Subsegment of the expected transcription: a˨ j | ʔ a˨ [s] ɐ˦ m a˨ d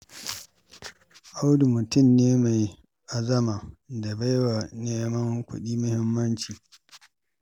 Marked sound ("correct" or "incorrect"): incorrect